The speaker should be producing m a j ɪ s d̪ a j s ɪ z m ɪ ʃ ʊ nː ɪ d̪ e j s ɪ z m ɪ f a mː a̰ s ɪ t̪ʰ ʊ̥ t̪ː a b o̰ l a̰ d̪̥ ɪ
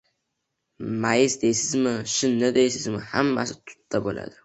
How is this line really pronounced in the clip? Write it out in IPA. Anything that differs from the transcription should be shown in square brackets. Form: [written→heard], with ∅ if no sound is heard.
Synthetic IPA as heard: m a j ɪ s d̪ [a→e] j s ɪ z m ɪ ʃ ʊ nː ɪ d̪ e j s ɪ z m ɪ [f→h] a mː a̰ s ɪ t̪ʰ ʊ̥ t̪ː a b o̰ l a̰ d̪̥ ɪ